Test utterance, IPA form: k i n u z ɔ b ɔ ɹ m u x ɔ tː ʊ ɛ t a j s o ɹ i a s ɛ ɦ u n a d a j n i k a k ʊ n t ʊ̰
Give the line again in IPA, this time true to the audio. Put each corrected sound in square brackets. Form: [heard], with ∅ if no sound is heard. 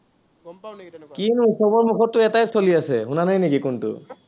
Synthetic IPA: k i n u [s] ɔ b ɔ ɹ m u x ɔ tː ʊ ɛ t a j s o [l] i a s ɛ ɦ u n a [n] a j n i k [i] k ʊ n t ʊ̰